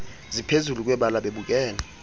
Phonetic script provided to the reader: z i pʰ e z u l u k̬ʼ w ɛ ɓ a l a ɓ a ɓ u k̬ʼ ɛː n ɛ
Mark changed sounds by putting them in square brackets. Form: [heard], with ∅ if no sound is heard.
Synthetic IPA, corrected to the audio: z i pʰ e z u l u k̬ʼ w ɛ ɓ a l a ɓ [e] ɓ u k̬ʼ ɛː n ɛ